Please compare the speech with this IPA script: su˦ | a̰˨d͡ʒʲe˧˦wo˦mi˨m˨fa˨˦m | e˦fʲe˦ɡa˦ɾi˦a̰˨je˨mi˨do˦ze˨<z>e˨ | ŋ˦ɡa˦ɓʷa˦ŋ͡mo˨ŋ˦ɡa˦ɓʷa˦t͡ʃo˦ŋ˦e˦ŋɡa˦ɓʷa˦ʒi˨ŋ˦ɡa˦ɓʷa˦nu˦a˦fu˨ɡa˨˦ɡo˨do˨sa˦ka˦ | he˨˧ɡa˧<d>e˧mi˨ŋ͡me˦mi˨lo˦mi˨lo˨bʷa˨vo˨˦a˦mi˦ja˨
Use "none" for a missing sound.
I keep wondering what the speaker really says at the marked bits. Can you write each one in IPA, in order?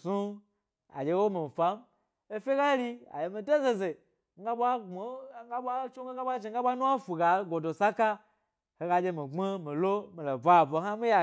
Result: z, d͡ʒ

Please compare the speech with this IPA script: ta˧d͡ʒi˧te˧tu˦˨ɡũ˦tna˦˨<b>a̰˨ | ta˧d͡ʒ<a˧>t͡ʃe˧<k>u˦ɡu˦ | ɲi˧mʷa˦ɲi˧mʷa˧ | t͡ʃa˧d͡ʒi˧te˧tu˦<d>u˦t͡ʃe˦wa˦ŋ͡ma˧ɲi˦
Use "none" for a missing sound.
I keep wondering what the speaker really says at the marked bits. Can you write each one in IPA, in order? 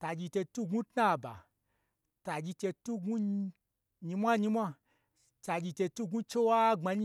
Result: b, i˧, t, ɡ

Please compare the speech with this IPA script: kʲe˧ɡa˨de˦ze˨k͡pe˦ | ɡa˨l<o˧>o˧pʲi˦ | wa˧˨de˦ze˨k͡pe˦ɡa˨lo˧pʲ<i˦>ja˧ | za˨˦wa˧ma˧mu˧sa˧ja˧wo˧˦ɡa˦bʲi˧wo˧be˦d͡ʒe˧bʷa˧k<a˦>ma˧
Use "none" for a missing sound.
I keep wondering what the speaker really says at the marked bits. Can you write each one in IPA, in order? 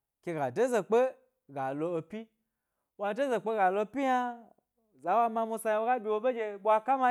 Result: o˧, i˦, a˦

